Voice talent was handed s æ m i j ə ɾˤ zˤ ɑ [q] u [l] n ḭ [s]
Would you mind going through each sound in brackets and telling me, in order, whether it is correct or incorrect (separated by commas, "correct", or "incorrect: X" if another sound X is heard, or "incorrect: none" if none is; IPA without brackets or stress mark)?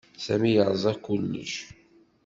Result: incorrect: k, correct, incorrect: ʃ